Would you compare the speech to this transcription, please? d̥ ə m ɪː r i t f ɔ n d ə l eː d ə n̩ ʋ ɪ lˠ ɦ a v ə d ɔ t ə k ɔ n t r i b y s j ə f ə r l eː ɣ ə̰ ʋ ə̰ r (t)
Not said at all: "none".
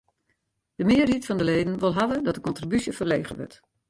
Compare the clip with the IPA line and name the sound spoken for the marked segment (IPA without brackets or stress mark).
t